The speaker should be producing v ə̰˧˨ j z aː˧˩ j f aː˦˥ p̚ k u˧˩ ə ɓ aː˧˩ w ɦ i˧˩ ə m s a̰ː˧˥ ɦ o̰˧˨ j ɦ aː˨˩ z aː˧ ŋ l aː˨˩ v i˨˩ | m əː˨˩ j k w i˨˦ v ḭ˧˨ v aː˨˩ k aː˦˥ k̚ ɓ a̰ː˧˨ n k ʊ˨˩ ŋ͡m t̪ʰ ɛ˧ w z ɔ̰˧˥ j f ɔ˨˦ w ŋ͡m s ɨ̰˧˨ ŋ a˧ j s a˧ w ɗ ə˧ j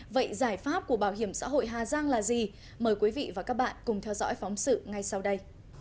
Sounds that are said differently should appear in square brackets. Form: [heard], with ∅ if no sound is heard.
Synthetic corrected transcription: v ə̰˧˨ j z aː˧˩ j f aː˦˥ p̚ k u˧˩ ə ɓ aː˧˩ w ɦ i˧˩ ə m s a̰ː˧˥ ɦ o̰˧˨ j ɦ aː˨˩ z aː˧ ŋ l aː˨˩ [z] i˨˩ | m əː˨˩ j k w i˨˦ v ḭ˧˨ v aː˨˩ k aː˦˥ k̚ ɓ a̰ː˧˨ n k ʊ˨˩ ŋ͡m t̪ʰ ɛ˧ w z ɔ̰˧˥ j f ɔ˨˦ w ŋ͡m s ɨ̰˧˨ ŋ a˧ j s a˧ w ɗ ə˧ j